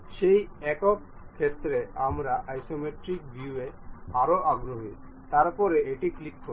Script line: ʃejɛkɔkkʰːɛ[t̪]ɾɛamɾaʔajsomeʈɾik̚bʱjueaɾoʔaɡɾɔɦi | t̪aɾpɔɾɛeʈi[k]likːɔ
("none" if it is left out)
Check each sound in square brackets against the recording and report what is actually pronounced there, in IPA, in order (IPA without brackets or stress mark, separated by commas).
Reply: t̪, k